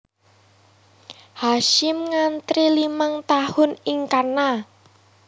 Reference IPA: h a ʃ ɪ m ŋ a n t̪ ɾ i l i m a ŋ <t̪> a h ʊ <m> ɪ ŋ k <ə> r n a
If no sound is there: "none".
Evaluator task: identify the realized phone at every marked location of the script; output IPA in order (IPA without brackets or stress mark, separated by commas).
t̪, n, a